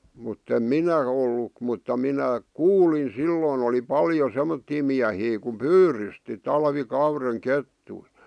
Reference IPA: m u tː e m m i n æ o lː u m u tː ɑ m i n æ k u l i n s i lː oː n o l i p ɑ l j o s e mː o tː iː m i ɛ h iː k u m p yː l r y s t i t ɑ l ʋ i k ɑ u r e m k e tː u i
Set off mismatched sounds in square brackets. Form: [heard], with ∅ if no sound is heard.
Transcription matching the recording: m u tː e m m i n æ o lː u m u tː ɑ m i n æ k [uː] l i n s i lː oː n o l i p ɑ l j o s e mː o tː iː m i [æ] h iː k u m p yː [∅] r y s t i t ɑ l ʋ i k ɑ u r e [ŋ] k e tː u i